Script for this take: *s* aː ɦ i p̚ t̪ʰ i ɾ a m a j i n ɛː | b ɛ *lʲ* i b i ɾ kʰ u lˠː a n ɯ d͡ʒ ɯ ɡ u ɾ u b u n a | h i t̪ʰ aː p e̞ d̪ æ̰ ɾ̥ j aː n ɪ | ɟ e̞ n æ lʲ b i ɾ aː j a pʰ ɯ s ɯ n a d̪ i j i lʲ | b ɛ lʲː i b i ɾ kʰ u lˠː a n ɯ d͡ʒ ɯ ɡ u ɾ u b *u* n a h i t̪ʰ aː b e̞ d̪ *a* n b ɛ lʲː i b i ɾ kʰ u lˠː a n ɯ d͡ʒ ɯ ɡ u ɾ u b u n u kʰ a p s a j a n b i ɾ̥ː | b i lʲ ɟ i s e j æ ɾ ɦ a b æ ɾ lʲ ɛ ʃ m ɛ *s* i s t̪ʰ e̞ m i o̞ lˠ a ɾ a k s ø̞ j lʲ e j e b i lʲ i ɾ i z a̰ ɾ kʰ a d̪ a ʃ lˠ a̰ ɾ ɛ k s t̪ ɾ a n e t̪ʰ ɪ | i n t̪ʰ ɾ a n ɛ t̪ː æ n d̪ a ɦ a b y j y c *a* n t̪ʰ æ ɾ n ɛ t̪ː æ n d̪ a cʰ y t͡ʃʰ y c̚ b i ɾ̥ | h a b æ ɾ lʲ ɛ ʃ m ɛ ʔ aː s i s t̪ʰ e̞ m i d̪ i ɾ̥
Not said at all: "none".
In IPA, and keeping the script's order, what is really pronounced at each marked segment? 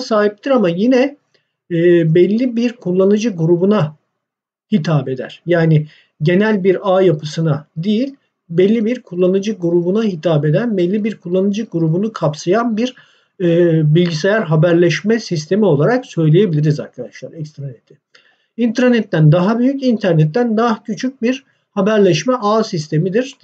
s, lʲː, u, æ, s, i

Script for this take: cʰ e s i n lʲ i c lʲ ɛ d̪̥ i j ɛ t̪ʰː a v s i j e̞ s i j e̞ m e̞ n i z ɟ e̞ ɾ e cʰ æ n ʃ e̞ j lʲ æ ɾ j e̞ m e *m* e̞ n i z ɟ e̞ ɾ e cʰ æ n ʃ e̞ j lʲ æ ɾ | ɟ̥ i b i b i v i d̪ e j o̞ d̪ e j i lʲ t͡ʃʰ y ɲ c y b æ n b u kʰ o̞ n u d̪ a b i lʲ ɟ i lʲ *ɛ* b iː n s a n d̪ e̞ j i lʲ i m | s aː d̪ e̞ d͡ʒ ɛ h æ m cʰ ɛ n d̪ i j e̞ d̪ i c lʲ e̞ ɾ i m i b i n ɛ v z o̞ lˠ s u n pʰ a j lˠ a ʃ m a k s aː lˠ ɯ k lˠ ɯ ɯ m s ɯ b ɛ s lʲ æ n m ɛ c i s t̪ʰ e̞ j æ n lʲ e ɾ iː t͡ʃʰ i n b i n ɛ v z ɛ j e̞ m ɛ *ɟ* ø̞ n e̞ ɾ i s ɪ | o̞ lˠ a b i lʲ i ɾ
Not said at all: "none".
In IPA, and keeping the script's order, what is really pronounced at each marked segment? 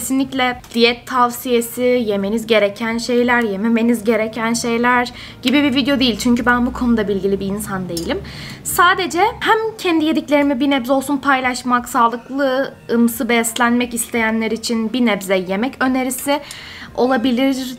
m, i, c

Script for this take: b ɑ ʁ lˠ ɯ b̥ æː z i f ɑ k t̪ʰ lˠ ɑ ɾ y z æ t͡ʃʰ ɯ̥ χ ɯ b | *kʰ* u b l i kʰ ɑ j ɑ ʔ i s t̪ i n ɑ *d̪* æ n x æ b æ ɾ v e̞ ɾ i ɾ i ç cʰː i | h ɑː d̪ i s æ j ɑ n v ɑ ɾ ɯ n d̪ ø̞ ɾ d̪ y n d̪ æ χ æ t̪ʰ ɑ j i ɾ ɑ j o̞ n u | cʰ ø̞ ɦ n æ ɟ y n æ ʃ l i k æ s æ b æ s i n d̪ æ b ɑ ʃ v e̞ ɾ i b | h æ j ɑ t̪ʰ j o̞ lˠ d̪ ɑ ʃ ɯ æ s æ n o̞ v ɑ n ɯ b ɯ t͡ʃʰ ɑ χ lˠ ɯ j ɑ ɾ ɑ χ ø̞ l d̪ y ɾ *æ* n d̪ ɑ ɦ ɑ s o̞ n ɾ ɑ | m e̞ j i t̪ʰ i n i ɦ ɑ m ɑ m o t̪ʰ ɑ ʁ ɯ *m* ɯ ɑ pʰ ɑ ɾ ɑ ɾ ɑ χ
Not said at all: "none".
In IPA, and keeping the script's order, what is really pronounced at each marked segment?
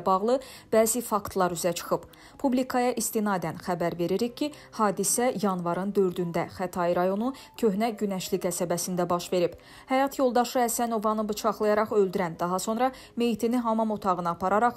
pʰ, d̪, æ, n

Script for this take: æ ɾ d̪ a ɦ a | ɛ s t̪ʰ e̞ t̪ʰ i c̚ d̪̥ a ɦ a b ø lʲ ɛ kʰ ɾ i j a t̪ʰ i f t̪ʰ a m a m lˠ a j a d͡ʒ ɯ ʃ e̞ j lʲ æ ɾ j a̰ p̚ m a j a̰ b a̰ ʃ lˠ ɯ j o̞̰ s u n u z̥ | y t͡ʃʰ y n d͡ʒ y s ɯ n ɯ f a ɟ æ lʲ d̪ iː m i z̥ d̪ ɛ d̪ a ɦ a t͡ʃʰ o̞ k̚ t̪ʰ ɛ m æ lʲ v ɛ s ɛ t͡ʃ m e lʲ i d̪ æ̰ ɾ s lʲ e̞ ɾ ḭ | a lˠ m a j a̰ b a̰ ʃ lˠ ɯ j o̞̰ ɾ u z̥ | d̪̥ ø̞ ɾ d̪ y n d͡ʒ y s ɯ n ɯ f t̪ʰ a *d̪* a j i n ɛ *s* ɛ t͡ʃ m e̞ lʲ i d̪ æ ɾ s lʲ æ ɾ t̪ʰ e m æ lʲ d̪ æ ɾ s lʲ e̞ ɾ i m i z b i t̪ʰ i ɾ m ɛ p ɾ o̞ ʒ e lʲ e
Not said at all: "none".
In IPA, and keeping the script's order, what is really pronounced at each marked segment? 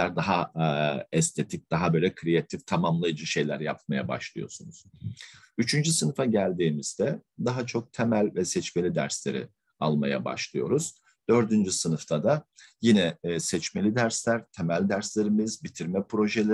d̪, s

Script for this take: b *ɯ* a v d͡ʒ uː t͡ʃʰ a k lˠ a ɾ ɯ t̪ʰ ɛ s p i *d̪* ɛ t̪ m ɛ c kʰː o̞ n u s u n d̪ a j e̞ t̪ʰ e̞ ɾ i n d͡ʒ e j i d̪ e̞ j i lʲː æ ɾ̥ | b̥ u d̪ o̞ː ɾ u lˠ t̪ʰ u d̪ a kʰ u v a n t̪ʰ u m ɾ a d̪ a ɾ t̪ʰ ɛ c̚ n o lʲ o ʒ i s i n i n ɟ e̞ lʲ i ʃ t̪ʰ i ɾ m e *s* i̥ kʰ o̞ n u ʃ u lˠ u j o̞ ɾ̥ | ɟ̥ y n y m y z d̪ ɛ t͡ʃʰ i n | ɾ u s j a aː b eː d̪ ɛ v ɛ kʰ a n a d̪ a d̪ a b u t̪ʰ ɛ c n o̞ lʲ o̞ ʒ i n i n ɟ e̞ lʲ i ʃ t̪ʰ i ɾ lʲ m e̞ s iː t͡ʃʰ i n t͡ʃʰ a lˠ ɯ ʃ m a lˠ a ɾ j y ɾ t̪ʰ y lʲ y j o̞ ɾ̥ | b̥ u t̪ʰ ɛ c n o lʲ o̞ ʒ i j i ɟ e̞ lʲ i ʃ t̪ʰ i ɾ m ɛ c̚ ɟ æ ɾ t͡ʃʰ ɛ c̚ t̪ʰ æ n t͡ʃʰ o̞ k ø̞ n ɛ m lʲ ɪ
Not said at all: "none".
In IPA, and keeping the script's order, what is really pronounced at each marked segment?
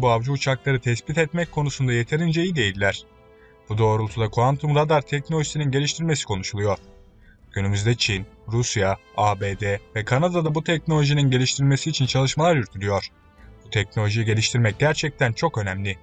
u, t̪, s

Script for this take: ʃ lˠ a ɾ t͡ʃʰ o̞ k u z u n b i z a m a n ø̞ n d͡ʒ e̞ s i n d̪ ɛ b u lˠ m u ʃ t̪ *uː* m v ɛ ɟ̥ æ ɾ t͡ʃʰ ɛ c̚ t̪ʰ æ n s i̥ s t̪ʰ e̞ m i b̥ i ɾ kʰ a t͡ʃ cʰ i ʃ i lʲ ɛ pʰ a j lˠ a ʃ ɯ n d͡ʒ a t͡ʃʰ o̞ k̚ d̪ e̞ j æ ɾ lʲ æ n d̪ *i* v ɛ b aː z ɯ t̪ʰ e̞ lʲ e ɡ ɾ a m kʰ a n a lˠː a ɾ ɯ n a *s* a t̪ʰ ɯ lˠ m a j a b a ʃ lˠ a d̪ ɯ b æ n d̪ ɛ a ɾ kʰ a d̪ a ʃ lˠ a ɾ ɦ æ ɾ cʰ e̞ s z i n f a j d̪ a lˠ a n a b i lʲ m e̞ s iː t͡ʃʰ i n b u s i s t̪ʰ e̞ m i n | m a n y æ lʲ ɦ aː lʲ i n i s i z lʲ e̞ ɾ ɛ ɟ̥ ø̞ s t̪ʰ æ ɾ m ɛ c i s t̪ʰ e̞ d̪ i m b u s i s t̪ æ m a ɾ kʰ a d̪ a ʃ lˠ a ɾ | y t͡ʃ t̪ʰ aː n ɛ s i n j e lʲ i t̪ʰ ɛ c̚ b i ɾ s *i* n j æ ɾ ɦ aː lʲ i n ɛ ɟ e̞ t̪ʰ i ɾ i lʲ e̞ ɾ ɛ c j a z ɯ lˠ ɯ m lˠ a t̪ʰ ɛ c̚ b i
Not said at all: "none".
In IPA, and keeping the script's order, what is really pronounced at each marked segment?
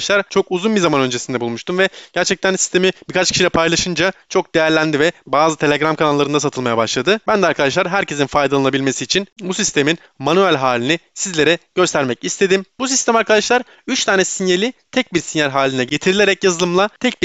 u, i, s, i

